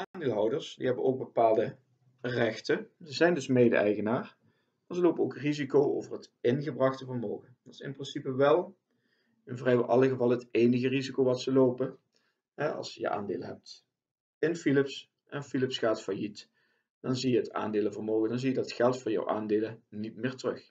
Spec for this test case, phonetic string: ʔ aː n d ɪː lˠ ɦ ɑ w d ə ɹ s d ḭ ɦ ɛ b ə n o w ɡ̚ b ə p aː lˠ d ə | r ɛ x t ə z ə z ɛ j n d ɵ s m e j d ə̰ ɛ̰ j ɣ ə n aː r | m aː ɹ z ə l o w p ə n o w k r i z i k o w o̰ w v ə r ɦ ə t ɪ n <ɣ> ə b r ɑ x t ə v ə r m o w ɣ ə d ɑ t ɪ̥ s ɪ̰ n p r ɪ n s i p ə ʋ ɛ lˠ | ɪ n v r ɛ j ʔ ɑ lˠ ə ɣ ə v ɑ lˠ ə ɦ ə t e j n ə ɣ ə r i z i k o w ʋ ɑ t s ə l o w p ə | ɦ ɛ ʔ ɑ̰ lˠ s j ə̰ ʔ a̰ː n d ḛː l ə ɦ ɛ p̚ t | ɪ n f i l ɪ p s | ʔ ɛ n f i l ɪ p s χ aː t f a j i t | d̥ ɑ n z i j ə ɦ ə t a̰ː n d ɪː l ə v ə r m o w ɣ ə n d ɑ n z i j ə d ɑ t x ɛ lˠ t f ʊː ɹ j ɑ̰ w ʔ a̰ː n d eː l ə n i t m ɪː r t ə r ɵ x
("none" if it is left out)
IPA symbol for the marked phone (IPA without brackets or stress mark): ɣ